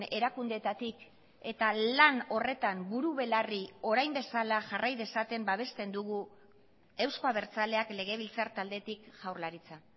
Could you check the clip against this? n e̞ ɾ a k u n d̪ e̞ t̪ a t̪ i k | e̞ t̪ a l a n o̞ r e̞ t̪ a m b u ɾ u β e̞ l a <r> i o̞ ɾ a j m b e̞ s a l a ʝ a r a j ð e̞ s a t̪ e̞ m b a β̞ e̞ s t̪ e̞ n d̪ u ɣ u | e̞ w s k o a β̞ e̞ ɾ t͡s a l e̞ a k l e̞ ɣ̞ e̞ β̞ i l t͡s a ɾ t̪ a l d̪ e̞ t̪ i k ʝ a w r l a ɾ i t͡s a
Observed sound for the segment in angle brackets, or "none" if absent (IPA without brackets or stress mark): r